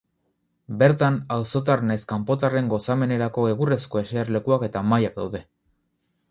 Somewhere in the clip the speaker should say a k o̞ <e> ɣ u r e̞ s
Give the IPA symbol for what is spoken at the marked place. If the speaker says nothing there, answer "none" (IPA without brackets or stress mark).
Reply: e